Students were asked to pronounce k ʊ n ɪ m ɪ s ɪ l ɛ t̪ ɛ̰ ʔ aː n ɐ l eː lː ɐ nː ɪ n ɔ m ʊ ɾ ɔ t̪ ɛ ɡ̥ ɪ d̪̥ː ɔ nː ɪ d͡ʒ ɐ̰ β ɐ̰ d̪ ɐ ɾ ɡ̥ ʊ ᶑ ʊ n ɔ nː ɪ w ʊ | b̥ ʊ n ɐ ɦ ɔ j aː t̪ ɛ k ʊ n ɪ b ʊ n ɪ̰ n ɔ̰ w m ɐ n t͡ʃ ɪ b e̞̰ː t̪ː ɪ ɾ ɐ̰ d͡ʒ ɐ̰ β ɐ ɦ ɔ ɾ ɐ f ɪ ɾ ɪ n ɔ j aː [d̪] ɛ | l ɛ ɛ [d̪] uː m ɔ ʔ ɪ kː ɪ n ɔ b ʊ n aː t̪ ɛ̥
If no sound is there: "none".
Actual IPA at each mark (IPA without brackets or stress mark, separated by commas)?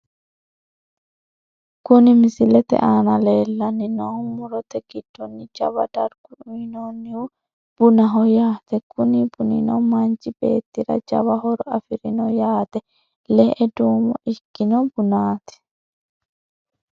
t̪, d̪